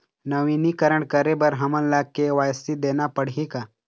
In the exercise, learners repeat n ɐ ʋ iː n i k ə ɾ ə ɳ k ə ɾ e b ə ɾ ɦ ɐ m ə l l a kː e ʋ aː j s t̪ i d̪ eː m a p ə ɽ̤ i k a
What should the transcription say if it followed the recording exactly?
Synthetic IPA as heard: n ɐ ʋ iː n i k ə ɾ ə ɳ k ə ɾ e b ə ɾ ɦ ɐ m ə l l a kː e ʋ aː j s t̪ i d̪ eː n a p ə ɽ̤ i k a